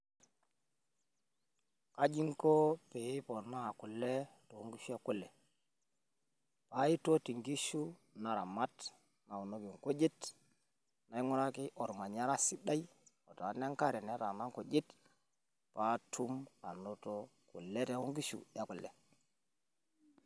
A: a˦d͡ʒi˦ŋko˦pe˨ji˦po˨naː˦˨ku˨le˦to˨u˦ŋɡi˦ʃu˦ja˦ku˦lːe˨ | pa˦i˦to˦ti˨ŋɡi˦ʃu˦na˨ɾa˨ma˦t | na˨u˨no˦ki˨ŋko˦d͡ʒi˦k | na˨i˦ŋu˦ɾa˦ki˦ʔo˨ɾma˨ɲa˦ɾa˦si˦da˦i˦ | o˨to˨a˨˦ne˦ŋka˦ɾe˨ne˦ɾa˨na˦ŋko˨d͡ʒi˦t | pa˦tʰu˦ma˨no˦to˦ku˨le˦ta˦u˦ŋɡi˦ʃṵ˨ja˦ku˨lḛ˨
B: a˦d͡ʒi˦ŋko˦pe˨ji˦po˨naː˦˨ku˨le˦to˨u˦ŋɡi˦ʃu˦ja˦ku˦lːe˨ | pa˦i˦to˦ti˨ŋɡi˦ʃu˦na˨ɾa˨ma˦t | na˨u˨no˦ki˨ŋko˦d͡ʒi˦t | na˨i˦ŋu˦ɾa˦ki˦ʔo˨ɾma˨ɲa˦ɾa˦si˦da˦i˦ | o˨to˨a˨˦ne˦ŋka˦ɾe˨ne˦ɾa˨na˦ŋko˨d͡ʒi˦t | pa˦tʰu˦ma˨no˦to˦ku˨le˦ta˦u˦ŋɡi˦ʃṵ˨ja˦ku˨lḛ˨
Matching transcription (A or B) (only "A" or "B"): B